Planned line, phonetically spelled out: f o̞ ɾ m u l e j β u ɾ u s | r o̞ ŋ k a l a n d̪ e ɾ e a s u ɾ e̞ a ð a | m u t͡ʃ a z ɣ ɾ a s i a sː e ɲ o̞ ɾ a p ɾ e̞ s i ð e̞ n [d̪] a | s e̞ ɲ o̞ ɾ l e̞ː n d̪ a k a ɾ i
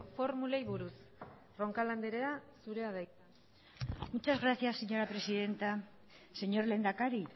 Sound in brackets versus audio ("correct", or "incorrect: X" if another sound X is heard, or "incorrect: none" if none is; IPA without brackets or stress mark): incorrect: t̪